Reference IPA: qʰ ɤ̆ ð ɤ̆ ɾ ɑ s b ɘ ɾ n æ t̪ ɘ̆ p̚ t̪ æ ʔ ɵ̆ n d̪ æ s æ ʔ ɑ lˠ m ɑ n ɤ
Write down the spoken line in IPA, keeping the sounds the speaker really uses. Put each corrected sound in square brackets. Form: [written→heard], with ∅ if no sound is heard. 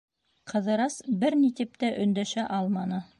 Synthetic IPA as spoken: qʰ ɤ̆ ð ɤ̆ ɾ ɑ s b ɘ ɾ n [æ→i] t̪ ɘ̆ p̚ t̪ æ ʔ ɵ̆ n d̪ æ [s→ʃ] æ ʔ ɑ lˠ m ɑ n ɤ